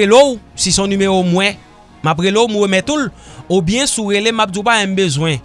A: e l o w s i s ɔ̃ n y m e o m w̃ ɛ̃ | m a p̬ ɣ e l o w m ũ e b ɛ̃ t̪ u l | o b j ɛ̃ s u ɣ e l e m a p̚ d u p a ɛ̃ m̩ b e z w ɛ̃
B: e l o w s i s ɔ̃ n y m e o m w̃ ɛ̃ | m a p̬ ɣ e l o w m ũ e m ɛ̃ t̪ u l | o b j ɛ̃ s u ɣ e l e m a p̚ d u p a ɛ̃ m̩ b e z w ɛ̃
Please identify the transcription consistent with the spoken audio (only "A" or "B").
B